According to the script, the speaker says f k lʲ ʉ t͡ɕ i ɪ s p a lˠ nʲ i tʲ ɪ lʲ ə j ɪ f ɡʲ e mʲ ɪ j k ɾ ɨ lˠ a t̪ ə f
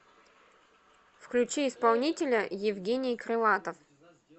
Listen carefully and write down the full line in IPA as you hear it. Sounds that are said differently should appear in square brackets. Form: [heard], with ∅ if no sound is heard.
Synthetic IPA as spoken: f k lʲ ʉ t͡ɕ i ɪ s p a lˠ nʲ i tʲ ɪ lʲ ə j ɪ [v] ɡʲ e [nʲ] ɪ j k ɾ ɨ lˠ a t̪ ə f